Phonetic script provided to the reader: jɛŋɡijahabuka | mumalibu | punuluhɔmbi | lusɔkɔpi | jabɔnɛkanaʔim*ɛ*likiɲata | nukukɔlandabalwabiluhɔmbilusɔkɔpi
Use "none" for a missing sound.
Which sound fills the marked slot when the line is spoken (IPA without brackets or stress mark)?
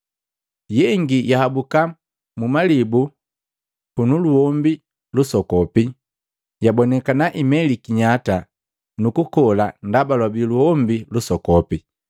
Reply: ɛ